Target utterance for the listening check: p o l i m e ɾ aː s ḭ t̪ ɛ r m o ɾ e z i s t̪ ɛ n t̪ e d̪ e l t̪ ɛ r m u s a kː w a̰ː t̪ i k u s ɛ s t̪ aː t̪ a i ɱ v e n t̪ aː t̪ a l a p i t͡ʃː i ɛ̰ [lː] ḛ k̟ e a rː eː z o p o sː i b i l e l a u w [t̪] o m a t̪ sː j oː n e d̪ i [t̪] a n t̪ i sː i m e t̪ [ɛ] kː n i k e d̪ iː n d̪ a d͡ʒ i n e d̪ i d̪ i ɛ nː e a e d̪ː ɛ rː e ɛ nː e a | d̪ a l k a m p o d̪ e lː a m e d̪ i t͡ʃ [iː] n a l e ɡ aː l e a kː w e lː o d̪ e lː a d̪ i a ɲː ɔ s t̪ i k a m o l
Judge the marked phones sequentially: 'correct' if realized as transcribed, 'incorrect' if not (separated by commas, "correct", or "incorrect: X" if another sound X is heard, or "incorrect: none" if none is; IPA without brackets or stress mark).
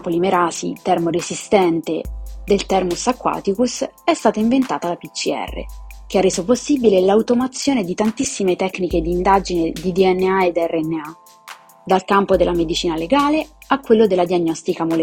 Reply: incorrect: rː, correct, correct, correct, correct